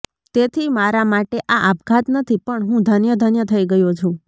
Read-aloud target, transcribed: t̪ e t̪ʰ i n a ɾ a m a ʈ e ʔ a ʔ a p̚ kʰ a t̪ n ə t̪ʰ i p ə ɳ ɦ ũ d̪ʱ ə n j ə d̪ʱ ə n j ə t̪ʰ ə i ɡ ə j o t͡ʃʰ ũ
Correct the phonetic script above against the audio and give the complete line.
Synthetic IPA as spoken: t̪ e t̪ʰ i m a ɾ a m a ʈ e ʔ a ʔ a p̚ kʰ a t̪ n ə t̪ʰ i p ə ɳ ɦ ũ d̪ʱ ə n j ə d̪ʱ ə n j ə t̪ʰ ə i ɡ ə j o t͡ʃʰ ũ